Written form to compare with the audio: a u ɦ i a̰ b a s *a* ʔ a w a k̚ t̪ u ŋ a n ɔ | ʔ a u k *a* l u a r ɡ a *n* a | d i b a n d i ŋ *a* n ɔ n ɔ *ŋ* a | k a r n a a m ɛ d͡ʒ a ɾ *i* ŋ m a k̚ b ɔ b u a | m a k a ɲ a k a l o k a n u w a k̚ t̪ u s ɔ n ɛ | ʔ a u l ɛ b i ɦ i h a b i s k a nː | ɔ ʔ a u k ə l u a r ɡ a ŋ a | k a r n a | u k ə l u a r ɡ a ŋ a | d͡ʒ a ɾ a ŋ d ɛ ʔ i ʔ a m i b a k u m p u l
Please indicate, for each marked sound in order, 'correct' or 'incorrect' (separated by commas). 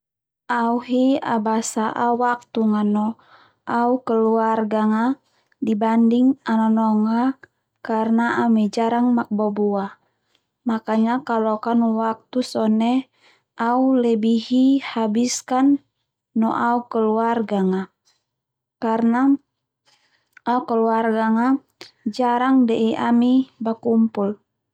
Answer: correct, incorrect, incorrect, correct, correct, incorrect